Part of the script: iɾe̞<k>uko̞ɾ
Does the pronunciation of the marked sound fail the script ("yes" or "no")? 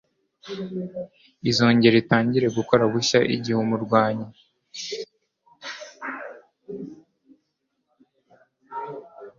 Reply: yes